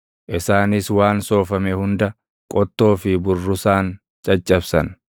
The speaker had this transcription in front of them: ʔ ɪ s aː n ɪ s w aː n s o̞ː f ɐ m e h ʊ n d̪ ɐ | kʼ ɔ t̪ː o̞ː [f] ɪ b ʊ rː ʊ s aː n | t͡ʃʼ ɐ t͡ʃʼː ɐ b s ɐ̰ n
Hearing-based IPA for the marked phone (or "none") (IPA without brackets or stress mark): f